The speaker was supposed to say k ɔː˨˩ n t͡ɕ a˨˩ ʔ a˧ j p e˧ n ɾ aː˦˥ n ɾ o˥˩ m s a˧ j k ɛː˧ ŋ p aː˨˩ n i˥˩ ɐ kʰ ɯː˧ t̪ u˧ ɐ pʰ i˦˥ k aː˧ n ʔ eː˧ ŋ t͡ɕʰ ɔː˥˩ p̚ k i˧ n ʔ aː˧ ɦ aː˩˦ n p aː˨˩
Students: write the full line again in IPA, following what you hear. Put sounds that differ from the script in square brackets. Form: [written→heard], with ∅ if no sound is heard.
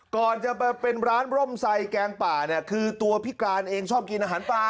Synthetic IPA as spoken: k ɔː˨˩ n t͡ɕ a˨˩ [ʔ→p] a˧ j p e˧ n ɾ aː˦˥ n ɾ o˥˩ m s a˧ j k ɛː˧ ŋ p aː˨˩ n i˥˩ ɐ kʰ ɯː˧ t̪ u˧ ɐ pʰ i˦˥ k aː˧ n ʔ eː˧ ŋ t͡ɕʰ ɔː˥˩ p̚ k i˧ n ʔ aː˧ ɦ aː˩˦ n p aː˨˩